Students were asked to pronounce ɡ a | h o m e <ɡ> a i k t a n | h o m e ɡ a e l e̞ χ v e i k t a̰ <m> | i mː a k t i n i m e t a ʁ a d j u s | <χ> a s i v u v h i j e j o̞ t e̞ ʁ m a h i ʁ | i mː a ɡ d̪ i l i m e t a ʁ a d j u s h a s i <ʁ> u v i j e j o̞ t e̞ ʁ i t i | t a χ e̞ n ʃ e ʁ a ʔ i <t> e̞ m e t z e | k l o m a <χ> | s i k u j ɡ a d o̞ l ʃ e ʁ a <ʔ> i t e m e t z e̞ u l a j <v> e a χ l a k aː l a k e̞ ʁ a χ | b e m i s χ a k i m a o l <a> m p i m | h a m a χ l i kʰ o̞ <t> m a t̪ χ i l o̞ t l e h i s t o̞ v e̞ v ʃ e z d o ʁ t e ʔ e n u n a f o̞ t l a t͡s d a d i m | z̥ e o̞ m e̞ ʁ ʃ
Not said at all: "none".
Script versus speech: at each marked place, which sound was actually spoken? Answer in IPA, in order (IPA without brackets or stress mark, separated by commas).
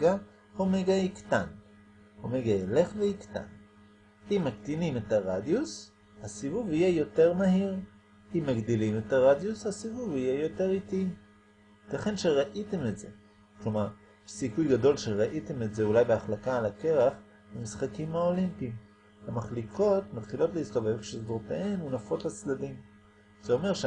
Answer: ɡ, n, h, v, t, ʁ, ʔ, b, i, t